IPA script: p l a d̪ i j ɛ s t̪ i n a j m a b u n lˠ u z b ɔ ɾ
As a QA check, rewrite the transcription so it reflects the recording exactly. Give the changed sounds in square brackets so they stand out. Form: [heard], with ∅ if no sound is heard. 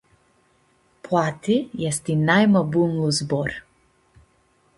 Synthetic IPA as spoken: p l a [t̪] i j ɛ s t̪ i n a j m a b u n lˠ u z b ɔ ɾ